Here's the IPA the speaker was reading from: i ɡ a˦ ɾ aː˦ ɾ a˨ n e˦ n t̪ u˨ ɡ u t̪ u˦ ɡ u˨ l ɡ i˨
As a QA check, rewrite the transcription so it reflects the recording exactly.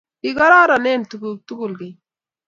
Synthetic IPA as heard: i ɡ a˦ ɾ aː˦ ɾ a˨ n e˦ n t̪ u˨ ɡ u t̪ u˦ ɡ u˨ l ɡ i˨